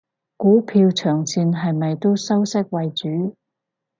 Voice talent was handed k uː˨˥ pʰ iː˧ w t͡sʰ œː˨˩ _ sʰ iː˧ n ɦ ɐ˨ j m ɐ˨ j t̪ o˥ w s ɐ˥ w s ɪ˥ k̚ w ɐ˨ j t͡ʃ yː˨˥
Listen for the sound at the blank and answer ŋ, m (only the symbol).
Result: ŋ